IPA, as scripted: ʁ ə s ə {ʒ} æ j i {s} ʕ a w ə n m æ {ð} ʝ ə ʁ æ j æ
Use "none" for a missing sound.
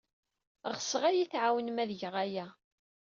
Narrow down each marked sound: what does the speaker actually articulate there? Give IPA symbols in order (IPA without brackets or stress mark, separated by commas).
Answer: ʁ, θ, ð